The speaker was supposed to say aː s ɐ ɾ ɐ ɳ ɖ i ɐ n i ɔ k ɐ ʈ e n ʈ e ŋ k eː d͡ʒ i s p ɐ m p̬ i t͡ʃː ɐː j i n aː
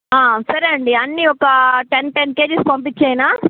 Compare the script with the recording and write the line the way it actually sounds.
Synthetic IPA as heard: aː s ɐ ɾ ɐ ɳ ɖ i ɐ nː i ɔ k ɐ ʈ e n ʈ e n k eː d͡ʒ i s p ɐ m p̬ i t͡ʃː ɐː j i n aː